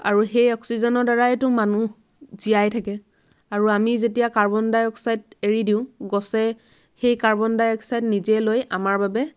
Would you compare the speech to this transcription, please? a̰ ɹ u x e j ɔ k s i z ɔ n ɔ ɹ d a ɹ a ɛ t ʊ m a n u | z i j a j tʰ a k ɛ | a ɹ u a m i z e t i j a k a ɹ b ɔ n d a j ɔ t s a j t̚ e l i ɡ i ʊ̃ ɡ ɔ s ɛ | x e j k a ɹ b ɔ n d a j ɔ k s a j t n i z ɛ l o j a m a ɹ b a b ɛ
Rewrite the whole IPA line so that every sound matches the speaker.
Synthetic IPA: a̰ ɹ u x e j ɔ k s i z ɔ n ɔ ɹ d a ɹ a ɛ t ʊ m a n u | z i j a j tʰ a k ɛ | a ɹ u a m i z e t i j a k a ɹ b ɔ n d a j ɔ k s a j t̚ e ɹ i d i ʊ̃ ɡ ɔ s ɛ | x e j k a ɹ b ɔ n d a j ɔ k s a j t n i z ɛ l o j a m a ɹ b a b ɛ